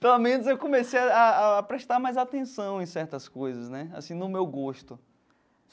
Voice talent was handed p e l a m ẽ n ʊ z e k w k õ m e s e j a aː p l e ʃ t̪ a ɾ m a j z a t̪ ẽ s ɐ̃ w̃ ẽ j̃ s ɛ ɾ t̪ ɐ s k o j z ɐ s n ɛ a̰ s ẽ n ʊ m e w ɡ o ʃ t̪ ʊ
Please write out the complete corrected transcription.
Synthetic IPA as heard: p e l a m ẽ n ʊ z e w k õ m e s e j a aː p ɾ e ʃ t̪ a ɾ m a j z a t̪ ẽ s ɐ̃ w̃ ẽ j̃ s ɛ ɾ t̪ ɐ s k o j z ɐ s n ɛ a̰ s ĩ n ʊ m e w ɡ o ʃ t̪ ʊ